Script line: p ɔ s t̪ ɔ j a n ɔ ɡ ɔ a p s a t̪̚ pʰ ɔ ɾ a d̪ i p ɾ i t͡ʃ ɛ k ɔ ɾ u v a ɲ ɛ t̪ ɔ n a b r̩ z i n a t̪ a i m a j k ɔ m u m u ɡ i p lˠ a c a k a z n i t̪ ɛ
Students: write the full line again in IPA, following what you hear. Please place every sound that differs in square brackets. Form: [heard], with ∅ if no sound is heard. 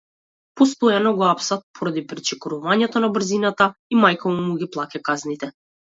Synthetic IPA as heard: p ɔ s t̪ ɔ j a n ɔ ɡ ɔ a p s a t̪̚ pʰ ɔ ɾ a d̪ i p ɾ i t͡ʃ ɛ k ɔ ɾ u v a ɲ ɛ t̪ ɔ n a b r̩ z i n a t̪ a i m a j k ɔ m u m u ɡ i p lˠ a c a k a z n i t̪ ɛ